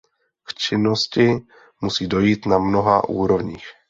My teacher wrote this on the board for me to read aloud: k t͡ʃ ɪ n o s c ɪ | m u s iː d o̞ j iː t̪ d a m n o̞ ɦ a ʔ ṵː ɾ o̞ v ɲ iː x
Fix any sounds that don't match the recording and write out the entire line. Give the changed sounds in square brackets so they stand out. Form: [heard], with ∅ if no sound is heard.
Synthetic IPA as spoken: k t͡ʃ ɪ n o s c ɪ | m u s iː d o̞ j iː t̪ [n] a m n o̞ ɦ a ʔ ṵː ɾ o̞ v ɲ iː x